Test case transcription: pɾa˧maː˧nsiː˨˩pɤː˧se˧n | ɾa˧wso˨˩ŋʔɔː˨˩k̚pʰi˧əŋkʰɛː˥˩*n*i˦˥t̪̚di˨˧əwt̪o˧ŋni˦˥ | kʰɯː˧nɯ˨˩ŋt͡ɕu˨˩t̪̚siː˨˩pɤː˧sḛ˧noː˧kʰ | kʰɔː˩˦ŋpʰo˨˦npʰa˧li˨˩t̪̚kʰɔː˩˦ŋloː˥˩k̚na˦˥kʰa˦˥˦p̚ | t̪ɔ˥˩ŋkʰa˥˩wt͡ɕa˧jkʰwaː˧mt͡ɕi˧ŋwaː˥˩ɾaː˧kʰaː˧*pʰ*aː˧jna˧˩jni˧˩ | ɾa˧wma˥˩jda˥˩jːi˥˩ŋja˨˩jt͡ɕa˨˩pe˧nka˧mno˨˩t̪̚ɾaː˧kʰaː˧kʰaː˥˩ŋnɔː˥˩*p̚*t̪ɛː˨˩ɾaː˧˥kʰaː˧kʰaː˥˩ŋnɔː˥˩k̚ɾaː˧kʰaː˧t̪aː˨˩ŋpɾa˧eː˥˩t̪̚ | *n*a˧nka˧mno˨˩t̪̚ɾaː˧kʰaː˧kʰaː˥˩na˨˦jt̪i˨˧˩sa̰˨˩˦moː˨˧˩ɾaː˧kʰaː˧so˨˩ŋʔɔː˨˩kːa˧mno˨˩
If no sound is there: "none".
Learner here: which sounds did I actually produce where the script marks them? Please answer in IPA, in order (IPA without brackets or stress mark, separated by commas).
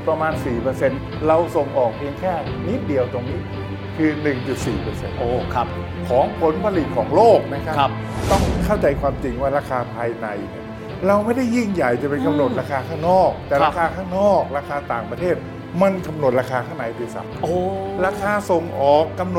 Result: n, pʰ, k̚, m